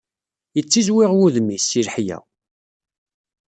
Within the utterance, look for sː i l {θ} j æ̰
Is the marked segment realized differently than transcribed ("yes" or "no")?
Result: yes